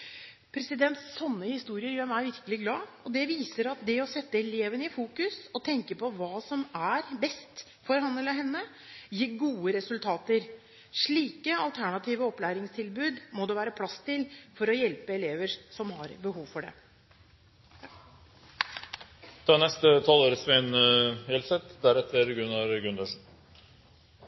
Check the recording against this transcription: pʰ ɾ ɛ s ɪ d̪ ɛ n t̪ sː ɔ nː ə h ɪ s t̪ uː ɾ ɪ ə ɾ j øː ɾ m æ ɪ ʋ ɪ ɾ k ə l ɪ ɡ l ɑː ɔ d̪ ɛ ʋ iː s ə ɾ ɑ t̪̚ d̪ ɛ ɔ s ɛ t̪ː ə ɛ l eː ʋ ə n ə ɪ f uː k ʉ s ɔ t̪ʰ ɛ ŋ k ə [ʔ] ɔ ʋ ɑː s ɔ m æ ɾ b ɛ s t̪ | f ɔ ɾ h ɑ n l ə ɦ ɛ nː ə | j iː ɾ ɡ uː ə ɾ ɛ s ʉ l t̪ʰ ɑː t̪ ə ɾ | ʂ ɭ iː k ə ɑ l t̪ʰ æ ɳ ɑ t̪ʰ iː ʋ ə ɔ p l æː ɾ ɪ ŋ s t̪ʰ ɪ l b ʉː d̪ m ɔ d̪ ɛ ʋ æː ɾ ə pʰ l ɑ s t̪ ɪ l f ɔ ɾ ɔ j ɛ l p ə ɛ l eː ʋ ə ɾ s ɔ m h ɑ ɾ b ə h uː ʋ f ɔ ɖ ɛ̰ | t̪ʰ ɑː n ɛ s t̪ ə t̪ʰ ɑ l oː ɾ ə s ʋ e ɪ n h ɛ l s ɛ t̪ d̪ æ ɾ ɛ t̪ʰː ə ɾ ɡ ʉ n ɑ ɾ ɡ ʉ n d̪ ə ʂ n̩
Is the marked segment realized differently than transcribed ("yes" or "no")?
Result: yes